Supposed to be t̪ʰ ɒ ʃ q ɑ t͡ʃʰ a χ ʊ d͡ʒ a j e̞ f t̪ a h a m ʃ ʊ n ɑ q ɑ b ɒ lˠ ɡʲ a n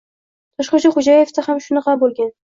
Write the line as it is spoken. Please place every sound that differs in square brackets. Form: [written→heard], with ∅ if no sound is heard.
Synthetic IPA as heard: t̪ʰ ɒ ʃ q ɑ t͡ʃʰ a χ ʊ d͡ʒ a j e̞ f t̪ a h a m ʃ ʊ n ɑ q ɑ b [ɒ→o] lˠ ɡʲ a n